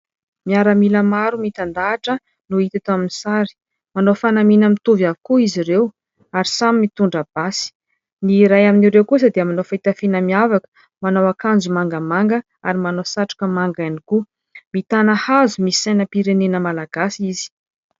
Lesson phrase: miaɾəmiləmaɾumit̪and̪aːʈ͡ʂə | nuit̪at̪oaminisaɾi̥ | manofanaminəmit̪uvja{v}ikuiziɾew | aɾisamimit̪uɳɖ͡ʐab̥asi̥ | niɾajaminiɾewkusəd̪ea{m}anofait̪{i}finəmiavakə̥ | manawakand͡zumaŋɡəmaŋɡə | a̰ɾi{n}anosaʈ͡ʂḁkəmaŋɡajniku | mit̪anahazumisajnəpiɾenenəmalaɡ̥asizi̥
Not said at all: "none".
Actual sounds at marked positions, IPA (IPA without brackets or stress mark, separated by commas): v, m, a, m